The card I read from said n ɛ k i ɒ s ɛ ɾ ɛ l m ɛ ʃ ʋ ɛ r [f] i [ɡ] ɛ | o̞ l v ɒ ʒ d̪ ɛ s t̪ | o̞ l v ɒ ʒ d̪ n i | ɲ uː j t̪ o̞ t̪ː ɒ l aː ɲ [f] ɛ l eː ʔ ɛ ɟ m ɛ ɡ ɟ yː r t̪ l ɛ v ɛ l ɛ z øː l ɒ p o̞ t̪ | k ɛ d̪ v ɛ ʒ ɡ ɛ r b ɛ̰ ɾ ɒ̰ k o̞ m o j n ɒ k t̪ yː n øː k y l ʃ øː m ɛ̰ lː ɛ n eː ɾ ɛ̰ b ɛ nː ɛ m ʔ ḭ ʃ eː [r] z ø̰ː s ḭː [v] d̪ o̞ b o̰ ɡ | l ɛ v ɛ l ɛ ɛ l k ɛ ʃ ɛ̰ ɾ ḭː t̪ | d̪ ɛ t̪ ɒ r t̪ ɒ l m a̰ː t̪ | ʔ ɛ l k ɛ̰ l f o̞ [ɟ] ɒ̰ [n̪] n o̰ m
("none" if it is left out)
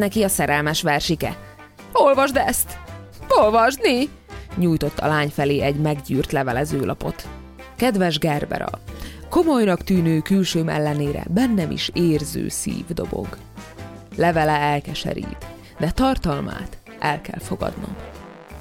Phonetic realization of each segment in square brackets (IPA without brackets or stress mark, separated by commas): ʃ, k, f, r, v, ɡ, d̪